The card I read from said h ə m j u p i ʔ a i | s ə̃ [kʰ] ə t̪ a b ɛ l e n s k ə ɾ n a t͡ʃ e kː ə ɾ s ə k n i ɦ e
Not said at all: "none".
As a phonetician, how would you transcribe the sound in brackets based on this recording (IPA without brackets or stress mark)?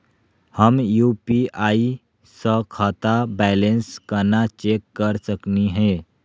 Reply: kʰ